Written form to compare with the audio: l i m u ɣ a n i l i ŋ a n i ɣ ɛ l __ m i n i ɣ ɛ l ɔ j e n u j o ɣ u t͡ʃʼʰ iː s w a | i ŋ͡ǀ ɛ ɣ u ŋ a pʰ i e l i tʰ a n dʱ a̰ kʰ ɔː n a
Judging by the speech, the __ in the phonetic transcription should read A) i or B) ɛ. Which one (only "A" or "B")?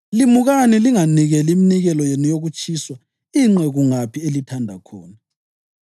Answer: A